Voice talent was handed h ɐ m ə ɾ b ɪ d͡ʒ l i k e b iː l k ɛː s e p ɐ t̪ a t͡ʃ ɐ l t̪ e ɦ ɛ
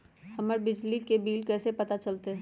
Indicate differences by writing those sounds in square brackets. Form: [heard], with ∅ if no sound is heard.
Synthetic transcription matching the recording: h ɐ m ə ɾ b ɪ d͡ʒ l i k e b iː l k ɛː s e p ɐ t̪ a t͡ʃ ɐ l t̪ e ɦ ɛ